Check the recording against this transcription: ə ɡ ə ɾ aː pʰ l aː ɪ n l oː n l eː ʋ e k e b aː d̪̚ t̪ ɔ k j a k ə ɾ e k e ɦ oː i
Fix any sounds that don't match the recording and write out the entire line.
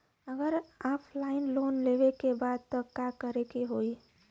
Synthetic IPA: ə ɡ ə ɾ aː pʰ l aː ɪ n l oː n l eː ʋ e k e b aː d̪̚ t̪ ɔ k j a k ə ɾ e k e ɦ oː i